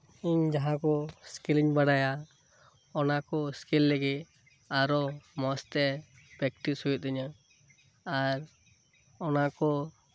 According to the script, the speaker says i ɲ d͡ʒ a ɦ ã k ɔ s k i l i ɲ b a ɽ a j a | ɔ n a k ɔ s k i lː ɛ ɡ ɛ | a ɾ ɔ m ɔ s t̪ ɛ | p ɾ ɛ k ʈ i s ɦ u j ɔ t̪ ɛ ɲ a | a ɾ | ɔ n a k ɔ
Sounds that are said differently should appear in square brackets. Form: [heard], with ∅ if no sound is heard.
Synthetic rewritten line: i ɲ d͡ʒ a ɦ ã k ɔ s k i l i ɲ b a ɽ a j a | ɔ n a k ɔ s k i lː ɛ ɡ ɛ | a ɾ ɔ m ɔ s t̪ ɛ | p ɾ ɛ k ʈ i s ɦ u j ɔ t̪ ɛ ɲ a | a ɾ | ɔ n a k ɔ